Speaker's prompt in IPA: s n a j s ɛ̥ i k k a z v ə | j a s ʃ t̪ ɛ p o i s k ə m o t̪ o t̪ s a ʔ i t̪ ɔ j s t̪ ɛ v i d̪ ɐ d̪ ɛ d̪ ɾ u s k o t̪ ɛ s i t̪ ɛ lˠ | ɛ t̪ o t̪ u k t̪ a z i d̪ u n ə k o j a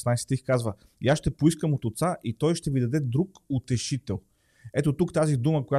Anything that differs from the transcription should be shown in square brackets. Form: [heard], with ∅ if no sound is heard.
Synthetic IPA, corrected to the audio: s n a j s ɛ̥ i [x] k a z v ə | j a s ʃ t̪ ɛ p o i s k ə m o t̪ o t̪ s a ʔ i t̪ ɔ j [ʃ] t̪ ɛ v i d̪ ɐ d̪ ɛ d̪ ɾ u [∅] k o t̪ ɛ [ʃ] i t̪ ɛ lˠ | ɛ t̪ o t̪ u k t̪ a z i d̪ u [m] ə k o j a